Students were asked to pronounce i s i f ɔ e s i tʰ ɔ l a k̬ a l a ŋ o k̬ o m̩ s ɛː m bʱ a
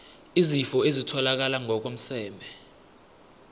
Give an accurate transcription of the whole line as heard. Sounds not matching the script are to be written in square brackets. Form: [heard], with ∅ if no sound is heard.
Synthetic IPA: i [z] i f ɔ e [z] i tʰ ɔ l a k̬ a l a ŋ [ɔ] k̬ o m̩ s ɛː m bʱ [ɛ]